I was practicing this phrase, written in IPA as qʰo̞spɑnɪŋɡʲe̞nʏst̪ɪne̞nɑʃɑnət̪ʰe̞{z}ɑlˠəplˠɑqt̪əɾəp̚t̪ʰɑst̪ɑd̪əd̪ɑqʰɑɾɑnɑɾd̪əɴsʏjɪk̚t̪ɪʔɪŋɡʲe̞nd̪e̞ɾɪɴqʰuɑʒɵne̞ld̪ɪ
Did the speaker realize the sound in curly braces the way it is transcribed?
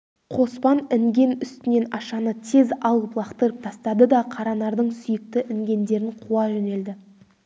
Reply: yes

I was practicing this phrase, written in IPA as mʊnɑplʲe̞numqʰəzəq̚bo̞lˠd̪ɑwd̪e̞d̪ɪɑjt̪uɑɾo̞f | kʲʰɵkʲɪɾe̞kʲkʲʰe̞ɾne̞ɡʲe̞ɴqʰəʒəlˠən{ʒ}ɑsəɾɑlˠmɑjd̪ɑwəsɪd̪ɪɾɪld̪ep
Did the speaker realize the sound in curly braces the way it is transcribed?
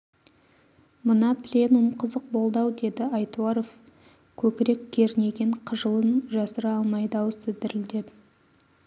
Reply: yes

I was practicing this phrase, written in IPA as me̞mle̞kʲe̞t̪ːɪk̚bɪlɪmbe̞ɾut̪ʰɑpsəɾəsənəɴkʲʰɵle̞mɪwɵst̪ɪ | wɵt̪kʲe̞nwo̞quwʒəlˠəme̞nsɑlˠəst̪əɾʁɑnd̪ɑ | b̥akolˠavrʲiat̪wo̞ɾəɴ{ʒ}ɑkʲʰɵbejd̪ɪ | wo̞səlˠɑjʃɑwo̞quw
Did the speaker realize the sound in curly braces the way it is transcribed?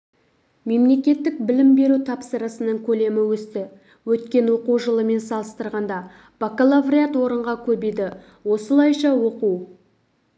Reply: no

